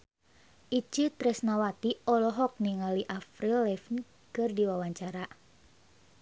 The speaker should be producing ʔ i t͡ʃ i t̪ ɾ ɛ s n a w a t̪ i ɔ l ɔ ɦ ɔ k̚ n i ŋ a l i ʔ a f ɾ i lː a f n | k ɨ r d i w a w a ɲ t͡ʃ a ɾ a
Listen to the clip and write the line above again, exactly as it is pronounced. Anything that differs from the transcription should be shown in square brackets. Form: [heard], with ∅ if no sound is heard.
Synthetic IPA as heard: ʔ i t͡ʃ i t̪ ɾ ɛ s n a w a t̪ i ɔ l ɔ ɦ ɔ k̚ n i ŋ a l i ʔ a f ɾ i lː [ɛ] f n | k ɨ r d i w a w a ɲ t͡ʃ a ɾ a